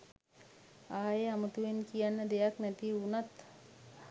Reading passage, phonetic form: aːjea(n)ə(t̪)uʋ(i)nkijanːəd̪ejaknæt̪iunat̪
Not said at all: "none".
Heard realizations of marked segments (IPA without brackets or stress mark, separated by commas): m, t̪, e